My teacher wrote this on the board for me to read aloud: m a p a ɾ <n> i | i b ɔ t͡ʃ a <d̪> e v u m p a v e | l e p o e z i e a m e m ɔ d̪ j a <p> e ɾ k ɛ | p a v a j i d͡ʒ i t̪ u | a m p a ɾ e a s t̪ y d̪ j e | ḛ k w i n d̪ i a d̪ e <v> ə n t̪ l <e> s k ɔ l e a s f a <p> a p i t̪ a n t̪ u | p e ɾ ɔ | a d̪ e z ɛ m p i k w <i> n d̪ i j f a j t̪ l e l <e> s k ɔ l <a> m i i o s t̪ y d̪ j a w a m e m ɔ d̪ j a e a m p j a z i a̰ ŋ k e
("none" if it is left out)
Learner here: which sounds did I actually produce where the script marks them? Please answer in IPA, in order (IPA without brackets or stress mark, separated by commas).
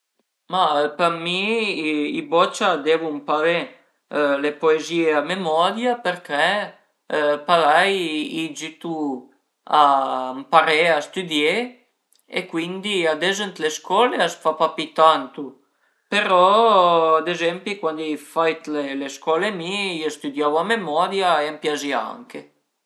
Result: m, d̪, p, z, e, p, a, e, e